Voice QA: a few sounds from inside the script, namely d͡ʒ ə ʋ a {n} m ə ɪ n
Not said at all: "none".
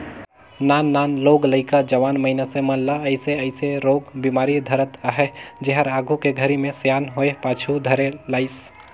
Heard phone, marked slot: n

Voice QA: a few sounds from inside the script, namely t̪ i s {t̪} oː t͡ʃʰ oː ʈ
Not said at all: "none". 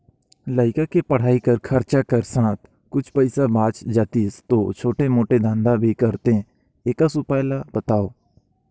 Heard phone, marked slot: t̪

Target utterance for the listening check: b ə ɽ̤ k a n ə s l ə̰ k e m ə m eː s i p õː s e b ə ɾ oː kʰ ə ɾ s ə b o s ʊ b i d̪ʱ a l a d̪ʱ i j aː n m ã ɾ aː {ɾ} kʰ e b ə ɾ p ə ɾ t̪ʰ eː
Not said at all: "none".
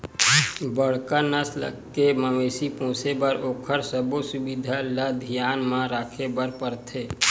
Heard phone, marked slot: none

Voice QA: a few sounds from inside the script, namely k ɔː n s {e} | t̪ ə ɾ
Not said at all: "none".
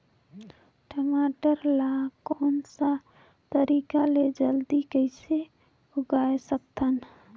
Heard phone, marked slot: a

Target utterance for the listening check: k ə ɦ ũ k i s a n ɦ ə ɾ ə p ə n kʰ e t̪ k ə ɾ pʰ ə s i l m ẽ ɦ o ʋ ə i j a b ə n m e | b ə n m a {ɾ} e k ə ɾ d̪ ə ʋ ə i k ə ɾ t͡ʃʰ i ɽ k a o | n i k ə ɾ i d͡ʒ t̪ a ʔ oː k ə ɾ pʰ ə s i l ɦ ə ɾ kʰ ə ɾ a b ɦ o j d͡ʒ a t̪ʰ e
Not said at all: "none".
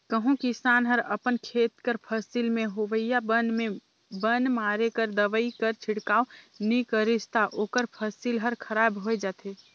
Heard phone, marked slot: ɾ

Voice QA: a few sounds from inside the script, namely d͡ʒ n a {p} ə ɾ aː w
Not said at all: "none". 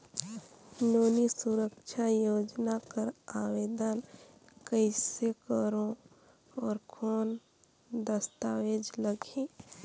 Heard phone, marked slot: k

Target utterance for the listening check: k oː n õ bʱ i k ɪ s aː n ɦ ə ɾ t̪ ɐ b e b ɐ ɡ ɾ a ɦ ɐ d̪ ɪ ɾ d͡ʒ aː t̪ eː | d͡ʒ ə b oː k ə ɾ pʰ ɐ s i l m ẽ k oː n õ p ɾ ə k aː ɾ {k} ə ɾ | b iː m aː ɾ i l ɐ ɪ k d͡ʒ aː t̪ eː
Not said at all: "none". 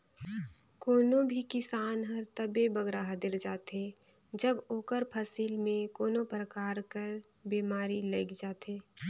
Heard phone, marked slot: k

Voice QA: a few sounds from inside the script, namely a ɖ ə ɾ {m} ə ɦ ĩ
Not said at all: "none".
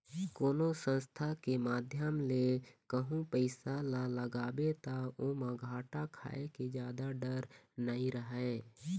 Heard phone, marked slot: n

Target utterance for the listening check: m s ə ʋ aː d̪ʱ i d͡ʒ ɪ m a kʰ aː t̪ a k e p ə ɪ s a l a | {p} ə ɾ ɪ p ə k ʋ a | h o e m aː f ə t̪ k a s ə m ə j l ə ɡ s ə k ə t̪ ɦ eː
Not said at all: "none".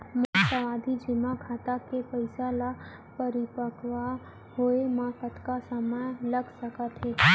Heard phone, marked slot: p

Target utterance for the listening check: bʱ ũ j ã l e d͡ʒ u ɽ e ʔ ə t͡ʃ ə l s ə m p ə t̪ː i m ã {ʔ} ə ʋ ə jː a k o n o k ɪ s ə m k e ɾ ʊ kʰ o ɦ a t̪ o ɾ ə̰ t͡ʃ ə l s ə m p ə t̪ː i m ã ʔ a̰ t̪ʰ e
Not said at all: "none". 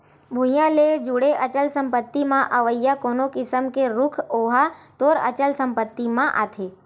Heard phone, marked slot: ʔ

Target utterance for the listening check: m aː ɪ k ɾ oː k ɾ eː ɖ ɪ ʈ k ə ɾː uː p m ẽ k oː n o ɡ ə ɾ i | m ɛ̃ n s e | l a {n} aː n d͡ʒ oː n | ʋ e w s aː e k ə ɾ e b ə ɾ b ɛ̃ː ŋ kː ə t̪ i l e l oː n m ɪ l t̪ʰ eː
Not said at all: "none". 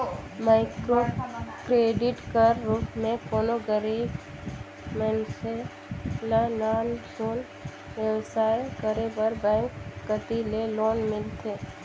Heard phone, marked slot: n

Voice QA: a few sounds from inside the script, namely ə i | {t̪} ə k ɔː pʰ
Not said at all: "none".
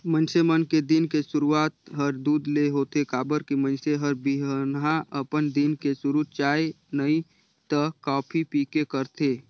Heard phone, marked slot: t̪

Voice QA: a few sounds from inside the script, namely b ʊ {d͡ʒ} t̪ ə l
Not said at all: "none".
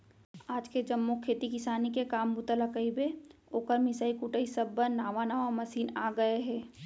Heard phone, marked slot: none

